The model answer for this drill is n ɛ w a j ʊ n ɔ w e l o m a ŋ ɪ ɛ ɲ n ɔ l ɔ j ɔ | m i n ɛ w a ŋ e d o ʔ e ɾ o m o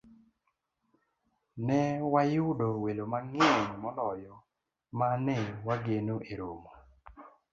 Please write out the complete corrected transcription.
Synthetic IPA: n ɛ w a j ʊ d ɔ w e l o m a ŋ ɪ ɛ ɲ m ɔ l ɔ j ɔ | m a n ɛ w a ɡ e n o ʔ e ɾ o m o